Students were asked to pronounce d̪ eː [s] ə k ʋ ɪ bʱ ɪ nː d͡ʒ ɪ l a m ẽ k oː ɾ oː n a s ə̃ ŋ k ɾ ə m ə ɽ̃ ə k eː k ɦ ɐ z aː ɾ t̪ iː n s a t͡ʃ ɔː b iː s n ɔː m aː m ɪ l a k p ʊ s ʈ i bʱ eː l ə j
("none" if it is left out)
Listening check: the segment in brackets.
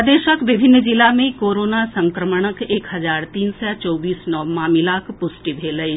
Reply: ʃ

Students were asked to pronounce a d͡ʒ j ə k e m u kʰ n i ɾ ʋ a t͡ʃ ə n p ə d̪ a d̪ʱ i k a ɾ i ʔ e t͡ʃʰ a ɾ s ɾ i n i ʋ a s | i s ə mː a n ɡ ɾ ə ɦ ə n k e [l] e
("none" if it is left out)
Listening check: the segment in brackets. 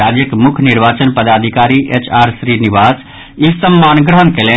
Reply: l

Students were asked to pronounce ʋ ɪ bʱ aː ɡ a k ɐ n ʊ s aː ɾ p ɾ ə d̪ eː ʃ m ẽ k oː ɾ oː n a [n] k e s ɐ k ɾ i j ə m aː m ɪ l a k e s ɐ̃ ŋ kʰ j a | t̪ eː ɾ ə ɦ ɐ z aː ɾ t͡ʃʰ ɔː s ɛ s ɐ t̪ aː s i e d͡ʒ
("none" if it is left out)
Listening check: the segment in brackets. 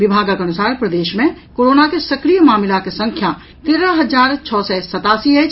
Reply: none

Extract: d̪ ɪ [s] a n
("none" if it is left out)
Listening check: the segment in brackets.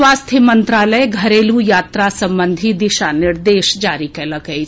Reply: ʃ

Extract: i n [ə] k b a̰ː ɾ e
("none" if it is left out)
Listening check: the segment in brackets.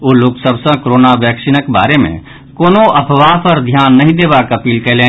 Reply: ə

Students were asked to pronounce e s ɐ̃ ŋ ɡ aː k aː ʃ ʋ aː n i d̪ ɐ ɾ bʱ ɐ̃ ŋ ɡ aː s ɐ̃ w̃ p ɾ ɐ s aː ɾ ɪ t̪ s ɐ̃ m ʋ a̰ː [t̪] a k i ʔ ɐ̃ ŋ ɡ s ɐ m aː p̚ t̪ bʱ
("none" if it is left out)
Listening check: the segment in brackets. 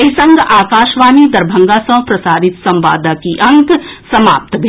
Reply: d̪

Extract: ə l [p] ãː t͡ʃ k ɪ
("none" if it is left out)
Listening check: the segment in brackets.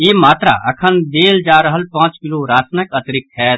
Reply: p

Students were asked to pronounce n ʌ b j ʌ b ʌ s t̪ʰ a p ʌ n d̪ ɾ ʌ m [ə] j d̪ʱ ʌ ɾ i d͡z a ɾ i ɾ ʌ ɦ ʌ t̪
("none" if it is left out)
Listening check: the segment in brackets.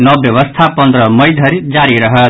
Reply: ʌ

